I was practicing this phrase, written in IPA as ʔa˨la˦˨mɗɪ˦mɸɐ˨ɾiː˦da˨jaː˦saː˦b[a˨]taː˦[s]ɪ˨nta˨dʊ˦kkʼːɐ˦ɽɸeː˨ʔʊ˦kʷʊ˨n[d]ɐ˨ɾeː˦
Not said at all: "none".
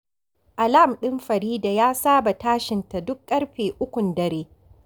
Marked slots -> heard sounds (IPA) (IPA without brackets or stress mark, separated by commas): a˨, ʃ, d